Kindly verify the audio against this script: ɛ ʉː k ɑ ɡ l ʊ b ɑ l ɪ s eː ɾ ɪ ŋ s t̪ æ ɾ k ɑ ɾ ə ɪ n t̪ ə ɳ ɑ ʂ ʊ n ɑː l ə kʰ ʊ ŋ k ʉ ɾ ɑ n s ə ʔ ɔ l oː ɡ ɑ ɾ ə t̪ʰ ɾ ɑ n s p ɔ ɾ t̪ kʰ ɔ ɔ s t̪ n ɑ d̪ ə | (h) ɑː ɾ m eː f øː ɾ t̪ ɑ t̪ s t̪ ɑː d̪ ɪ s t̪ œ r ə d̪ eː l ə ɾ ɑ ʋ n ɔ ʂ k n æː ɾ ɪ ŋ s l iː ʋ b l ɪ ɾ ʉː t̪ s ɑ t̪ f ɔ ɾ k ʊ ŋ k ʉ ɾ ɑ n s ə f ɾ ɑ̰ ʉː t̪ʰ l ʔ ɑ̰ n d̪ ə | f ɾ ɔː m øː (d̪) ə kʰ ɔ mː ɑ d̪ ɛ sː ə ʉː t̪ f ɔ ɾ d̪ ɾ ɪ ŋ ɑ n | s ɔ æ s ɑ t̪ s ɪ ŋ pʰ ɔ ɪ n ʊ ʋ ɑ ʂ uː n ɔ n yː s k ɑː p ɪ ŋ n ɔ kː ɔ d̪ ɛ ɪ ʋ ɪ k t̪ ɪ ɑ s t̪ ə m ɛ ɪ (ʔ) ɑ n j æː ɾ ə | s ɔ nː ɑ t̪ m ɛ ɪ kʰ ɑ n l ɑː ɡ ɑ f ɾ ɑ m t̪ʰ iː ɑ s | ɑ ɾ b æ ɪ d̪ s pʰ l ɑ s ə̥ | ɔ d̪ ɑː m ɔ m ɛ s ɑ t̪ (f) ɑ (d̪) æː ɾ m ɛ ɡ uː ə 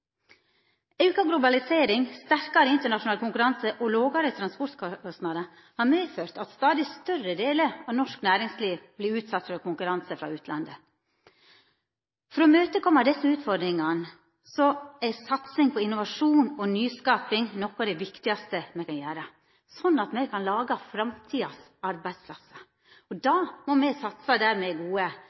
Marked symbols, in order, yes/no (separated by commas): yes, no, no, no, yes